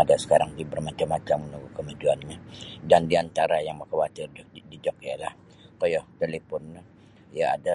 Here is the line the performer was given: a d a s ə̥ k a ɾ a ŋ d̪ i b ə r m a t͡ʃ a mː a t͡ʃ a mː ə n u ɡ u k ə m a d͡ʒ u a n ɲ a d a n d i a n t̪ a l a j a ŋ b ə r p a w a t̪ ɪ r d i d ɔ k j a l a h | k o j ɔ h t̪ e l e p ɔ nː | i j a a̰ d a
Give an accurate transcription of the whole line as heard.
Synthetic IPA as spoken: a d a s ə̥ k a ɾ a ŋ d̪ i b ə r m a t͡ʃ a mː a t͡ʃ a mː ə n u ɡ u k ə m a d͡ʒ u a n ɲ a d a n d i a n t̪ a ɾ a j a ŋ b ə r k a w a t̪ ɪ r d i d͡ʒ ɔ k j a l a h | k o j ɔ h t̪ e l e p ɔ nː | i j a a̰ d a